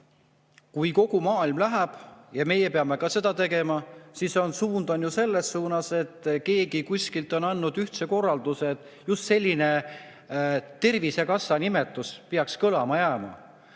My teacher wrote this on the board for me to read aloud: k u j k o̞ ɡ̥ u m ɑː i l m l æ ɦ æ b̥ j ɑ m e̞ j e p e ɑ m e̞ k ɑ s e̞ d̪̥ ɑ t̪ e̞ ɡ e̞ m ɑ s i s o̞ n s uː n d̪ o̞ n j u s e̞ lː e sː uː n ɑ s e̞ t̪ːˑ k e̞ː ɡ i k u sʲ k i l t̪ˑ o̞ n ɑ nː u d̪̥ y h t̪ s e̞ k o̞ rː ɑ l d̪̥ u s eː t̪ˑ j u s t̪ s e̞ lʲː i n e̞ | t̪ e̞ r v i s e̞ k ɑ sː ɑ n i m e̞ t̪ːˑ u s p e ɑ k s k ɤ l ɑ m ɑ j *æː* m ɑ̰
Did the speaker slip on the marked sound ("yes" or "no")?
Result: no